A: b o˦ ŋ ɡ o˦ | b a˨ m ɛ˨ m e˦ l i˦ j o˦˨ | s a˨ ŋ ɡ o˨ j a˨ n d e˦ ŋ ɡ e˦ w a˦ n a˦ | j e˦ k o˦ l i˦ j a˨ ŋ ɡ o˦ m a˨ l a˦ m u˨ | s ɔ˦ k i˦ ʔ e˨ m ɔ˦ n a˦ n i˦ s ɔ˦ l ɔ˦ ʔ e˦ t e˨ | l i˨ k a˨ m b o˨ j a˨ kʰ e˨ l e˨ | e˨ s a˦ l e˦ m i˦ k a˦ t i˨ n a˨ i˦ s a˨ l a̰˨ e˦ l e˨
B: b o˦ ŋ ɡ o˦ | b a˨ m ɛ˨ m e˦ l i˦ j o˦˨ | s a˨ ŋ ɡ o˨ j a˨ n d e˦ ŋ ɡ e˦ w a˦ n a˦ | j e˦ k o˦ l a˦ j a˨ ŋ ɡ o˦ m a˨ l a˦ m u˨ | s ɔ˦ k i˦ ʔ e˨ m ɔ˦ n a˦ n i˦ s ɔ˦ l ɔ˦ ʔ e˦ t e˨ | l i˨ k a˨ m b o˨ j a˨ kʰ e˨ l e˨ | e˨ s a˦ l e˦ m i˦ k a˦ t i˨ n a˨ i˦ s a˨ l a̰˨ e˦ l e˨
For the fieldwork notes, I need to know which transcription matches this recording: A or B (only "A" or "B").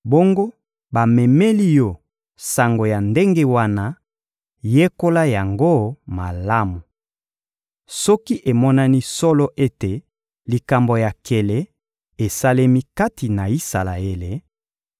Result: B